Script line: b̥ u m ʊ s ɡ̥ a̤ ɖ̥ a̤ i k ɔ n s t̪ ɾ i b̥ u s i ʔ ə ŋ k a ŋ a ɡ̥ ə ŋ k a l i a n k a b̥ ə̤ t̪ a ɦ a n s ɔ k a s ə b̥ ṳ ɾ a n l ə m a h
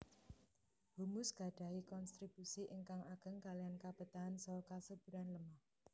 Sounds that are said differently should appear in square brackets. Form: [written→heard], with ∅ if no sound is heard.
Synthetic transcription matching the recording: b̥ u m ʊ s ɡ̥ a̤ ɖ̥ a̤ i k ɔ n s t̪ ɾ i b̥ u s i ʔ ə ŋ k a ŋ a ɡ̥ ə ŋ k a l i a n k a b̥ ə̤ t̪ a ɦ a n s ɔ k a s ə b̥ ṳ ɾ a n l ə m a h

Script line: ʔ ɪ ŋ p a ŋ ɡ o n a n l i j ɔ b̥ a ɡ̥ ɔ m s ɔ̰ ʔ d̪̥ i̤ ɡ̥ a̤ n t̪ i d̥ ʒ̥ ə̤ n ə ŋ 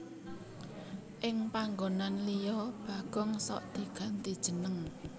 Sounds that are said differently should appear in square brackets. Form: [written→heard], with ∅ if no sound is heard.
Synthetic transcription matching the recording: ʔ ɪ ŋ p a ŋ ɡ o n a n l i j ɔ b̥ a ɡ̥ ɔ [m→ŋ] s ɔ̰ ʔ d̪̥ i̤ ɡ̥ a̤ n t̪ i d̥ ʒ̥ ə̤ n ə ŋ

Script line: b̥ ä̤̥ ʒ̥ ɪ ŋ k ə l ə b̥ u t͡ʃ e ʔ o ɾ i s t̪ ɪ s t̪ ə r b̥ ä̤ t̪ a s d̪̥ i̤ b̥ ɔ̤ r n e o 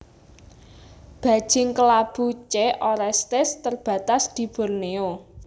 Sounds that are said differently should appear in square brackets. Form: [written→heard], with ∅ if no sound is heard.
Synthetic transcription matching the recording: b̥ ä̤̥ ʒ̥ ɪ ŋ k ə l [ə→a] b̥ u t͡ʃ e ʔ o ɾ [i→ɛ] s t̪ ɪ s t̪ ə r b̥ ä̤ t̪ a s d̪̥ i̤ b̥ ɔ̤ r n e o

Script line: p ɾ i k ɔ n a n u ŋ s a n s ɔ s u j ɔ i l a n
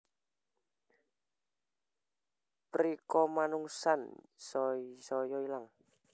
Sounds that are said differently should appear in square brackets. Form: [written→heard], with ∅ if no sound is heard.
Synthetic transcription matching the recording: p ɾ i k ɔ [n→m] a n u ŋ s a n s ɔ s [u→ɔ] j ɔ i l a [n→ŋ]

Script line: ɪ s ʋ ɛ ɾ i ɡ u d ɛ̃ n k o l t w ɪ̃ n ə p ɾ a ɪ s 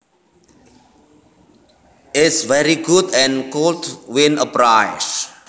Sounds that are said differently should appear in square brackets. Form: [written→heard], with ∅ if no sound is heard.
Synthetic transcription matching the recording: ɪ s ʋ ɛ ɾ i ɡ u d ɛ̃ n k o l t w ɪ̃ n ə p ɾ a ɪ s

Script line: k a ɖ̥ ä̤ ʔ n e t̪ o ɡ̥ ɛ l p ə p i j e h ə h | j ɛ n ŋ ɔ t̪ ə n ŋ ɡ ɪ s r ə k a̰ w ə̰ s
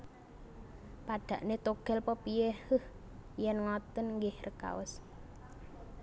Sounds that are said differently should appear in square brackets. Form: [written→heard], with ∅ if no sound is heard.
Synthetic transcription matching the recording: [k→p] a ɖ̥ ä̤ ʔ n e t̪ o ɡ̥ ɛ l p ə p i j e h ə h | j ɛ n ŋ ɔ t̪ ə n ŋ ɡ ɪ [s→h] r ə k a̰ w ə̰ s

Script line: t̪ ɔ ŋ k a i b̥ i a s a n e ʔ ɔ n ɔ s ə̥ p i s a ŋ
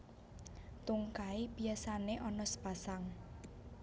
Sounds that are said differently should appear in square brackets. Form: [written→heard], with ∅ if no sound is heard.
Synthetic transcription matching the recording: t̪ [ɔ→u] ŋ k a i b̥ i a s a n e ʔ ɔ n ɔ s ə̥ p [i→a] s a ŋ

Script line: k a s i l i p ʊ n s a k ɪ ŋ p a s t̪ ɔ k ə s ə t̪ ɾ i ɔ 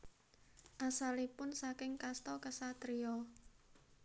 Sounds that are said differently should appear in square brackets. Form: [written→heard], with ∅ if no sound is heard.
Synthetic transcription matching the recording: [k→ʔ] a s [i→a] l i p ʊ n s a k ɪ ŋ [p→k] a s t̪ ɔ k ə s [ə→a] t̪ ɾ i ɔ

